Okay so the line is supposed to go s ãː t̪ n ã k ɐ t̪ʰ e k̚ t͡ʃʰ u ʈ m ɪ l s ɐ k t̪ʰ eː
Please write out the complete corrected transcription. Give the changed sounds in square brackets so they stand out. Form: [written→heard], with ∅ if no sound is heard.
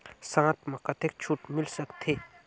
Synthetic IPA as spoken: s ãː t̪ [n→m] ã k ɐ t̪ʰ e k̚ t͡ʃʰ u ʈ m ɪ l s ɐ k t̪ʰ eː

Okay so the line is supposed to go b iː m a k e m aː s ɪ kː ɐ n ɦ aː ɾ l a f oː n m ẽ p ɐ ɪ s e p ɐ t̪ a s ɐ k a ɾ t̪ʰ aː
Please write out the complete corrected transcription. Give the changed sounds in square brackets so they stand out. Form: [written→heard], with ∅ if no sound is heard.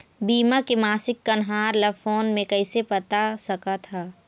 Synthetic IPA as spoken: b iː m a k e m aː s ɪ kː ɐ n ɦ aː ɾ l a f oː n m ẽ [p→k] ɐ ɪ s e p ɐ t̪ a s ɐ k a [ɾ→∅] t̪ʰ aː

